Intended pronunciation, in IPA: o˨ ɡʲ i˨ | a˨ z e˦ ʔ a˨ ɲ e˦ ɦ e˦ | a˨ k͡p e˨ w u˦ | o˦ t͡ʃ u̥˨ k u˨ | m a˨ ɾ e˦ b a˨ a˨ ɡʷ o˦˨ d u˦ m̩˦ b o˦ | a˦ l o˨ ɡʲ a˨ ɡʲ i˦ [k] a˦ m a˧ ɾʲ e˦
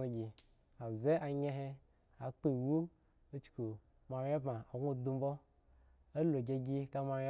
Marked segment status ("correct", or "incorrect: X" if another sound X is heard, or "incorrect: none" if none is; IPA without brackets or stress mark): correct